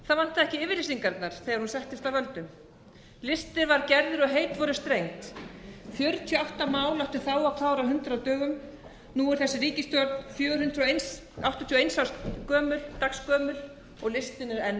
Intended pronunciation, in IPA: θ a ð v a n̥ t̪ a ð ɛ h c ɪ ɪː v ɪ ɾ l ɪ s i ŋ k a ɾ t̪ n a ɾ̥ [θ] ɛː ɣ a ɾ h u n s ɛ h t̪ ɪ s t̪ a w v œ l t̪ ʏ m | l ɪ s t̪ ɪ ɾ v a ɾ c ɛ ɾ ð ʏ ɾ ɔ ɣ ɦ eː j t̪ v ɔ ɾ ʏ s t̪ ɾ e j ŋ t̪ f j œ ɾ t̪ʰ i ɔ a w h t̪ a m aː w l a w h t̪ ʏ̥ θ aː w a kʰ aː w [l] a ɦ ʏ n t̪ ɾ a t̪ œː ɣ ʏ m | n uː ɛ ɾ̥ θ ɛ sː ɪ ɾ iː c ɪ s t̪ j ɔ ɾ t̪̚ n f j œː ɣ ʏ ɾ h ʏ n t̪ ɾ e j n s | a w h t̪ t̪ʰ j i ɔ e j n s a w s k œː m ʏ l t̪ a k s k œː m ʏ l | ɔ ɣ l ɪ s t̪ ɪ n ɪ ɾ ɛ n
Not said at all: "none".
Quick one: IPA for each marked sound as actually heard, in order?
θ, ɾ

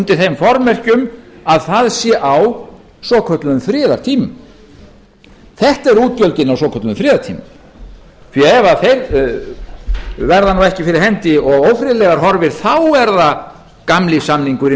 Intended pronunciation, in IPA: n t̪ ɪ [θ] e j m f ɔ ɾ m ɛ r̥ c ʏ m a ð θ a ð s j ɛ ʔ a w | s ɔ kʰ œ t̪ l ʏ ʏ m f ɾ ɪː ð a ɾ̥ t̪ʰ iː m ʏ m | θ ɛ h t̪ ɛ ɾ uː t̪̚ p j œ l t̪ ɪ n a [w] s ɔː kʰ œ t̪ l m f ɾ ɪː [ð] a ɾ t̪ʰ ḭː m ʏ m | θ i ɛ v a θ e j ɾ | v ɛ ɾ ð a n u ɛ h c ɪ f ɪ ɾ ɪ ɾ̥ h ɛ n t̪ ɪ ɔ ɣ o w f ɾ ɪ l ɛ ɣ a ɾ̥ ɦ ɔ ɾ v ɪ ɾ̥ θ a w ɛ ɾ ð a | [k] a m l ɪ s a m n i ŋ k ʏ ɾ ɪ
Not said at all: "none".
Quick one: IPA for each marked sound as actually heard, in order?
θ, w, ð, k

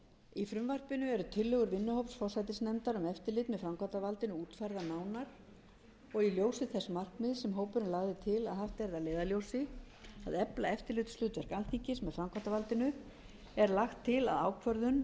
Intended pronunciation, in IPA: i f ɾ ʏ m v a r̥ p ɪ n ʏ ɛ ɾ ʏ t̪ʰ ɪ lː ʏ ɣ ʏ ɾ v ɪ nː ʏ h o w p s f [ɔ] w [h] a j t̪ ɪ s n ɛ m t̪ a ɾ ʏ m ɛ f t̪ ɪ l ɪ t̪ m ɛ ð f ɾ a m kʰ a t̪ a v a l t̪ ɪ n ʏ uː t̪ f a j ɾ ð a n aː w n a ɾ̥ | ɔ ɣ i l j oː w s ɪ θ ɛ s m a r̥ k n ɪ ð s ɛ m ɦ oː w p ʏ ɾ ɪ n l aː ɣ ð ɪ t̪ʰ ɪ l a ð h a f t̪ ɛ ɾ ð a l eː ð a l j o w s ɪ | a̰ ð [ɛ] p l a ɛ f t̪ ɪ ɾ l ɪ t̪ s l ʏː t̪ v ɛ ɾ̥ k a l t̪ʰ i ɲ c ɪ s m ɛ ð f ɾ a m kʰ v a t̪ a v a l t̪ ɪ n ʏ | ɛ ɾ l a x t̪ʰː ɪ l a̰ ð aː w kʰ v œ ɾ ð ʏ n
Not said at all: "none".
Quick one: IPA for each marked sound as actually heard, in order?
ɔ, s, ɛ

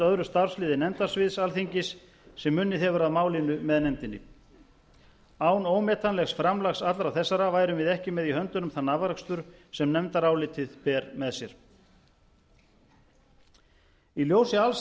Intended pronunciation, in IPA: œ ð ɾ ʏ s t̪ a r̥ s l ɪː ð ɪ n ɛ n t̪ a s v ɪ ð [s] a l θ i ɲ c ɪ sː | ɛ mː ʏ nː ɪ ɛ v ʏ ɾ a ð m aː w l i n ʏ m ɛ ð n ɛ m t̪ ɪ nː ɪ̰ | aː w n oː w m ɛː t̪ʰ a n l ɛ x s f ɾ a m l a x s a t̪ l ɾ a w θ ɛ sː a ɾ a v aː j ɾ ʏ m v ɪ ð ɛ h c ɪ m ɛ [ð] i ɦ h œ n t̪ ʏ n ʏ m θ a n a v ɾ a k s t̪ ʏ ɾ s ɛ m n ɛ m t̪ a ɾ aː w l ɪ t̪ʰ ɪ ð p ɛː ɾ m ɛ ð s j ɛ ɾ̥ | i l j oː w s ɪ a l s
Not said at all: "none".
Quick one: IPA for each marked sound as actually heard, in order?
s, ð

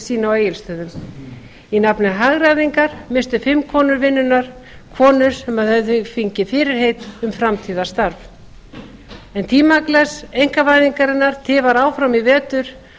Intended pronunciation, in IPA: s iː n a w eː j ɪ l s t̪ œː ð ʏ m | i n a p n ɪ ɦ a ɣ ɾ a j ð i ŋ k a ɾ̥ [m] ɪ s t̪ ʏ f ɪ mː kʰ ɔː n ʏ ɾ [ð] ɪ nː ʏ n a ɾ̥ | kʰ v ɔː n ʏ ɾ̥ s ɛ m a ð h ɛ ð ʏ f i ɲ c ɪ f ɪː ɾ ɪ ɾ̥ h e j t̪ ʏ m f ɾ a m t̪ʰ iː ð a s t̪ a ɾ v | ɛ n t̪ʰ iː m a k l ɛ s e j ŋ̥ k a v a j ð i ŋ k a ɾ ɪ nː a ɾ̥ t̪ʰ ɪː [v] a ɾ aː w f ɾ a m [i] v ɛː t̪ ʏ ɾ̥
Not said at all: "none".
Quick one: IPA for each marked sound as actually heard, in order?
m, v, v, i

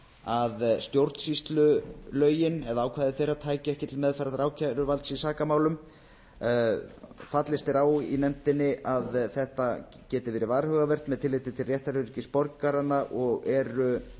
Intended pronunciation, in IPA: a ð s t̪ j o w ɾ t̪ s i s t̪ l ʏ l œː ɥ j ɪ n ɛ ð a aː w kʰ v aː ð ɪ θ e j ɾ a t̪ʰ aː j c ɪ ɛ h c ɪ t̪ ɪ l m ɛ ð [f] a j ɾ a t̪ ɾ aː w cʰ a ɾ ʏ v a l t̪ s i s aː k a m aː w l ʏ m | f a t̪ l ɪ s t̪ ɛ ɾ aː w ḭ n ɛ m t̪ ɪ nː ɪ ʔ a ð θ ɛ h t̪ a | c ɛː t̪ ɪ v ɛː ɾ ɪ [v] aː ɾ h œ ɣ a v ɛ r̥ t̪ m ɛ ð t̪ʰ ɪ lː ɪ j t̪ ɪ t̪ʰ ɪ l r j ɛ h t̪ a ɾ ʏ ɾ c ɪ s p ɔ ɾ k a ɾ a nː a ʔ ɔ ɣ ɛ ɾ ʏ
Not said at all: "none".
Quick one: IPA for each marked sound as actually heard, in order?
f, v

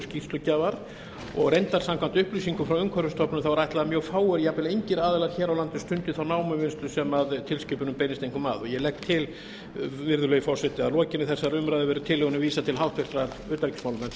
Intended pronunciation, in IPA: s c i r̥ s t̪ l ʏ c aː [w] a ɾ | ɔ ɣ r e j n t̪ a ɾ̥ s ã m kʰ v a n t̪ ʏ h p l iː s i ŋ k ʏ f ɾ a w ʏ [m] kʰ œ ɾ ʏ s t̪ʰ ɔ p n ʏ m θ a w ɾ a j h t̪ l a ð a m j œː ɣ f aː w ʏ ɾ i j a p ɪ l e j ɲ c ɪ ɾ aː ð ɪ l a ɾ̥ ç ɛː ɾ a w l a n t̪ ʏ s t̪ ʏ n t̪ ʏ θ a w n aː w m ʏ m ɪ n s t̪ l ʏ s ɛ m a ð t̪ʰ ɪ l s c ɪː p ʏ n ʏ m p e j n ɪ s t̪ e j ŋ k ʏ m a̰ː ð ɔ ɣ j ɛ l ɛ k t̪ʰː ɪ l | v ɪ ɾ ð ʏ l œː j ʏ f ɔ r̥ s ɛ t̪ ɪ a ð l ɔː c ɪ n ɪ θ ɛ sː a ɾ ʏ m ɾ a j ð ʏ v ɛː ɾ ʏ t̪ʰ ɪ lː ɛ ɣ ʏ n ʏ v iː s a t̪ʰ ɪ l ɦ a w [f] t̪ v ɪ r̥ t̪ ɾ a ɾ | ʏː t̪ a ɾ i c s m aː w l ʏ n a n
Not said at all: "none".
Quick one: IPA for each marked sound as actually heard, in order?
v, ŋ, h

